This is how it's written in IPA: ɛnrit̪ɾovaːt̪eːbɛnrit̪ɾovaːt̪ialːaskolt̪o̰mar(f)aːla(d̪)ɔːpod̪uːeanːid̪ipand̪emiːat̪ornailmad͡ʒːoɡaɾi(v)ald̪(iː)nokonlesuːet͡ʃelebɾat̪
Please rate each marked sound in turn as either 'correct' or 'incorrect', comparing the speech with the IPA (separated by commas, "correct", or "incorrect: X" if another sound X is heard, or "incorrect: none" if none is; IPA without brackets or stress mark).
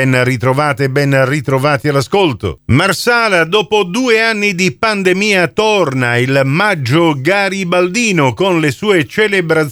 incorrect: s, correct, incorrect: b, correct